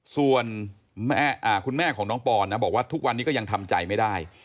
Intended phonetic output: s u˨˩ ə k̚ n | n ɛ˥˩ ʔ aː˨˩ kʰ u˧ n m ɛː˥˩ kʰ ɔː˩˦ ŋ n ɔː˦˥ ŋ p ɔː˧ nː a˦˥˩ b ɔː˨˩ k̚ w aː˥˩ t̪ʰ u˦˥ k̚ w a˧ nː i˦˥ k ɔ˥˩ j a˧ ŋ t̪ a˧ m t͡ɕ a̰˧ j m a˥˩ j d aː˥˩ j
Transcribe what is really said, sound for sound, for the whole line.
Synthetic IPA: s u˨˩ ə n | m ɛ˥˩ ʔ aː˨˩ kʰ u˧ n m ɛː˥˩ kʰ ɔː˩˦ ŋ n ɔː˦˥ ŋ p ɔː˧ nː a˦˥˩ b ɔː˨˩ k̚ w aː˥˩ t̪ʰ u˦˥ k̚ w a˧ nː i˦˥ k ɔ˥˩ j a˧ ŋ t̪ʰ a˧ m t͡ɕ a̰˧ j m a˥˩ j d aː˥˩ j